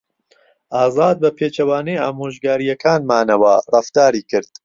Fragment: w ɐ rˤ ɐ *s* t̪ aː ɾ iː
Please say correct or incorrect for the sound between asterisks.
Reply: incorrect: f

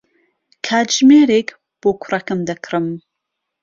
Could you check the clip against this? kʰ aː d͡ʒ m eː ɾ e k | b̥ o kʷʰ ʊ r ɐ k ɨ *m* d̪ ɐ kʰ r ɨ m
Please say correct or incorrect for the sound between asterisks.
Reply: correct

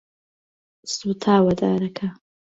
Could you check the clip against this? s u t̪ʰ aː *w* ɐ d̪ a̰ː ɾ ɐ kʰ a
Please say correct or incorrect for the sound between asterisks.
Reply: correct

